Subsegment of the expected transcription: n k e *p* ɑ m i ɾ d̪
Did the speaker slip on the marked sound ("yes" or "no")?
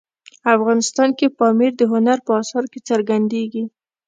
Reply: no